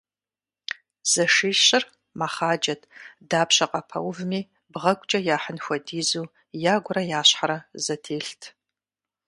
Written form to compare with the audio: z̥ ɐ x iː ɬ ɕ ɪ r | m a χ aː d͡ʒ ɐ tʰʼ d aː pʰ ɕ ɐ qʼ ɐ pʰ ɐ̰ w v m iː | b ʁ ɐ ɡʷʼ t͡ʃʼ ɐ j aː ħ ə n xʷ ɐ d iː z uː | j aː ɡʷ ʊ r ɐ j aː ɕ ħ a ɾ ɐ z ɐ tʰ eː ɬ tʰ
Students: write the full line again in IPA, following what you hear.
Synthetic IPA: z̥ ɐ ʂ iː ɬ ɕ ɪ r | m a χ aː d͡ʒ ɐ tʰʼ d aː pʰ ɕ ɐ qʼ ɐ pʰ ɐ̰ w v m iː | b ʁ ɐ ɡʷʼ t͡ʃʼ ɐ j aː ħ ə n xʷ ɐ d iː z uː | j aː ɡʷ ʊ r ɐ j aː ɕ ħ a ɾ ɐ z ɐ tʰ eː ɬ tʰ